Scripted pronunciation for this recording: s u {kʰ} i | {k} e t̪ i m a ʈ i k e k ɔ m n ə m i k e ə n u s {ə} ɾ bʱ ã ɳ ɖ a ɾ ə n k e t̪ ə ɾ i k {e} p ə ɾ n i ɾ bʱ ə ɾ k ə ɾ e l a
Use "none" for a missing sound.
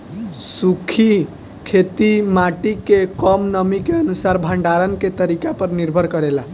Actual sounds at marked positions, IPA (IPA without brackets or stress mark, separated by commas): kʰ, kʰ, a, a